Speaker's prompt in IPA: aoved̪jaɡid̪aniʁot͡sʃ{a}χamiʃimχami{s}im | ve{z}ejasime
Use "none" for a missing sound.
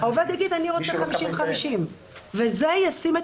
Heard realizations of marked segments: e, ʃ, z

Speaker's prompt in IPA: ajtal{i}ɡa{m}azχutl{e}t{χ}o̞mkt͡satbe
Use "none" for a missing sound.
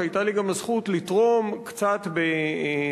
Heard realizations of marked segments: i, m, i, ʁ

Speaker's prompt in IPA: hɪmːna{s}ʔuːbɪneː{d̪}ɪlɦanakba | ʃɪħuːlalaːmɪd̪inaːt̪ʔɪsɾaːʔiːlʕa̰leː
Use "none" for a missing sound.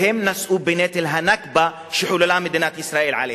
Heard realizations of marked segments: s, t̪

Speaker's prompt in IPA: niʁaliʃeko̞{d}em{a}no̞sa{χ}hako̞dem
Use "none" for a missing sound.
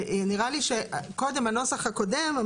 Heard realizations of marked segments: d, a, χ

